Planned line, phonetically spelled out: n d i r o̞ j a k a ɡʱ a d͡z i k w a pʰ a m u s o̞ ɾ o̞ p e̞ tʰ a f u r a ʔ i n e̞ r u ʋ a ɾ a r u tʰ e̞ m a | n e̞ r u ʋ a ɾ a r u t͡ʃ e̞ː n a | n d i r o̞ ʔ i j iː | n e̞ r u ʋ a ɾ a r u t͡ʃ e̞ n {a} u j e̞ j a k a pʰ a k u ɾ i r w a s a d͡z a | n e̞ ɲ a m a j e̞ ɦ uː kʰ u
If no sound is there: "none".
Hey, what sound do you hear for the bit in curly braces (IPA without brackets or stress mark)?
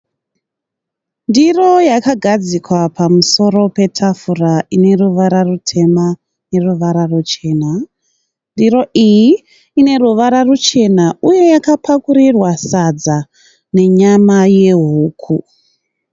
a